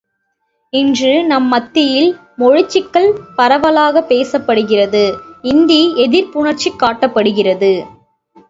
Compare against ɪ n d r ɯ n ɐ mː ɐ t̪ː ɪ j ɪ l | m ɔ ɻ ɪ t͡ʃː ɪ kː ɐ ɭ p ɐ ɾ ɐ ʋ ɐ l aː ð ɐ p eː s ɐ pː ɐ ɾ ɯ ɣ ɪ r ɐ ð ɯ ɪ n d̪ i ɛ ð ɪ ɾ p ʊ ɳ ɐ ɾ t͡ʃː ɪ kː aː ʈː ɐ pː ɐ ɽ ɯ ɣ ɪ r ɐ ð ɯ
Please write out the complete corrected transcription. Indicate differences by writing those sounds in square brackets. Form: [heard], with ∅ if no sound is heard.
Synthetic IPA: ɪ n d r ɯ n ɐ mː ɐ t̪ː ɪ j ɪ l | m ɔ ɻ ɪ t͡ʃː ɪ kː ɐ ɭ p ɐ ɾ ɐ ʋ ɐ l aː [ɣ] ɐ p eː s ɐ pː ɐ [ɽ] ɯ ɣ ɪ r ɐ ð ɯ ɪ n d̪ i ɛ ð ɪ ɾ p ʊ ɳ ɐ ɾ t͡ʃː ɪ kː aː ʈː ɐ pː ɐ ɽ ɯ ɣ ɪ r ɐ ð ɯ